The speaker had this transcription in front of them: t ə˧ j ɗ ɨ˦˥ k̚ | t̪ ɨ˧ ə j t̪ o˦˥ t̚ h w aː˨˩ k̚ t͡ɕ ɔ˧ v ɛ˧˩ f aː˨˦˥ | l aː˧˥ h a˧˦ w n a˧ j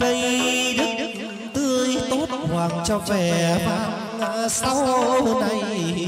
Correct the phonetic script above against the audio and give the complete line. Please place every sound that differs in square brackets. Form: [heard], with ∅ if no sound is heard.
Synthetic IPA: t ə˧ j ɗ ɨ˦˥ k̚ | t̪ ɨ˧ ə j t̪ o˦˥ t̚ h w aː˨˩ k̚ t͡ɕ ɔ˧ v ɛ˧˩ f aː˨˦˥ | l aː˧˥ [s] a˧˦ w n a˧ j